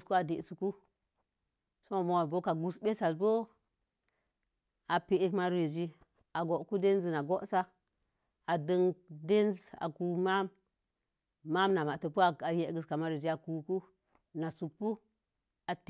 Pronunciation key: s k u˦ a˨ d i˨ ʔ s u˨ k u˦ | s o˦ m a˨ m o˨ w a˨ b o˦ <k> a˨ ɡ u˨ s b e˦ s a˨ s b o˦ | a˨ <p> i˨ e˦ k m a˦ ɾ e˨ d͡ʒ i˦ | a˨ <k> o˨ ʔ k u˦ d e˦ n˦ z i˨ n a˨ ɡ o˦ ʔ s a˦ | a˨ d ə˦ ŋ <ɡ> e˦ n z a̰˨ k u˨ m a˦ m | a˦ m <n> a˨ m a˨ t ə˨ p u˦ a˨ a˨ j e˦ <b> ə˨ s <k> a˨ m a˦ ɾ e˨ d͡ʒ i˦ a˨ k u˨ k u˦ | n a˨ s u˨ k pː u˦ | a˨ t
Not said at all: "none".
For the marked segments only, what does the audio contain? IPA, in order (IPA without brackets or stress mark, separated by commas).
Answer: k, p, ɡ, d, n, ɡ, k